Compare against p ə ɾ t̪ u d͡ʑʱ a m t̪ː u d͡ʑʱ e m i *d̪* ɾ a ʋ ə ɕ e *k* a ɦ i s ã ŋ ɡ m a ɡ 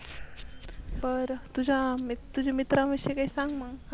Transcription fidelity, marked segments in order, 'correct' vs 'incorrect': incorrect: t̪, correct

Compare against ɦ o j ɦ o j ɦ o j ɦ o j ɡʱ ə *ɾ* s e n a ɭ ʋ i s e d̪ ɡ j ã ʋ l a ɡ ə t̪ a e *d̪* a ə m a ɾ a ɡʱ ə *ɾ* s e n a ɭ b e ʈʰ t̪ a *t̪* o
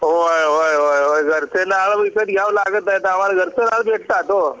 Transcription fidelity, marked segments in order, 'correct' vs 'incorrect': correct, incorrect: t̪, correct, correct

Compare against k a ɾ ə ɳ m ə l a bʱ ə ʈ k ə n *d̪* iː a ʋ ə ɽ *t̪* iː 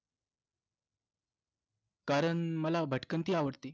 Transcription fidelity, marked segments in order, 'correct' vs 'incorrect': incorrect: t̪, correct

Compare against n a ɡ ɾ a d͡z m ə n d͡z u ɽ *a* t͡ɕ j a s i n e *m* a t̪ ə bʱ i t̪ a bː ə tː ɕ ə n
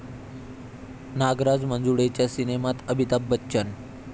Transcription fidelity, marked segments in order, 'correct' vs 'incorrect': incorrect: e, correct

